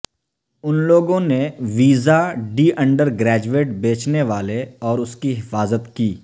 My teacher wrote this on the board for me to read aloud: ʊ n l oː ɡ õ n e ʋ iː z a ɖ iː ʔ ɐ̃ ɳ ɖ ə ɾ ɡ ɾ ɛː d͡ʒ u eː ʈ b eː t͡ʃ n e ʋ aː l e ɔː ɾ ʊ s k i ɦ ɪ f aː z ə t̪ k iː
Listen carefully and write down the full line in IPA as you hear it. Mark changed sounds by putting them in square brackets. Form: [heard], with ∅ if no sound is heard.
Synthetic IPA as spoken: ʊ n l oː ɡ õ n e ʋ iː z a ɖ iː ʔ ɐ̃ ɳ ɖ ə ɾ ɡ ɾ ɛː d͡ʒ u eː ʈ b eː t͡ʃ n e ʋ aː l e ɔː ɾ ʊ s k i ɦ ɪ f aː z ə t̪ k iː